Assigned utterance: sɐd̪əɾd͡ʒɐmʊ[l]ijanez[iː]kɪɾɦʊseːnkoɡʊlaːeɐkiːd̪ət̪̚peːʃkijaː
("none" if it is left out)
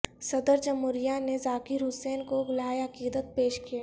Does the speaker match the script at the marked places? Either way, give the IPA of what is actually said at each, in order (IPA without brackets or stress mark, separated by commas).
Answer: ɾ, aː